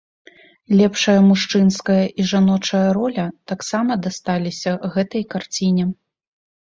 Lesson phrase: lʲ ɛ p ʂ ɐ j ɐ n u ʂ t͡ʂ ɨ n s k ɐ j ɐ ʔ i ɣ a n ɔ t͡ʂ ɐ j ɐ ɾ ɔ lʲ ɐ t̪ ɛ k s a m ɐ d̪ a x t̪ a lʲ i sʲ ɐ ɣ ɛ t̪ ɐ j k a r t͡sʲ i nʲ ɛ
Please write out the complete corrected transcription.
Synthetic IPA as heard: lʲ ɛ p ʂ ɐ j ɐ m u ʂ t͡ʂ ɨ n s k ɐ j ɐ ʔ i ʐ a n ɔ t͡ʂ ɐ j ɐ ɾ ɔ lʲ ɐ t̪ a k s a m ɐ d̪ a s t̪ a lʲ i sʲ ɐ ɣ ɛ t̪ ɐ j k a r t͡sʲ i nʲ ɛ